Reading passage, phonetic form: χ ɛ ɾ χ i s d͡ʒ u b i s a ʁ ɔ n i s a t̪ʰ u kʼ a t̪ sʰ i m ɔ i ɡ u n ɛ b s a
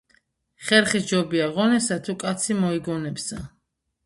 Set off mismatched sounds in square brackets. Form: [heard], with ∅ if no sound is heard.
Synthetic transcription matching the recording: χ ɛ ɾ χ i s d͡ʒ [ɔ] b i [∅] a ʁ ɔ n [ɛ] s a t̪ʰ u kʼ a t̪ sʰ i m ɔ i ɡ [ɔ] n ɛ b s a